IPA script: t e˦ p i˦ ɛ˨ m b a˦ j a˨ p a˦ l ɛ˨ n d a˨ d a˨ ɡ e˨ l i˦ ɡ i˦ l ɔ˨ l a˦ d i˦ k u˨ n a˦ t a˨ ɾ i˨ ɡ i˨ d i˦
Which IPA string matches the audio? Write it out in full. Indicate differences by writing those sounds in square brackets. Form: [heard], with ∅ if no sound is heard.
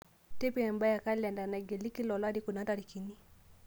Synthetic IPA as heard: t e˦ p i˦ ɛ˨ m b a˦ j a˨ [k] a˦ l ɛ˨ n d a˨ [n] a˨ ɡ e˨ l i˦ [k] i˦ l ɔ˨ l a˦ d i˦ k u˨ n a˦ t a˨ ɾ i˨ [k] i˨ [n] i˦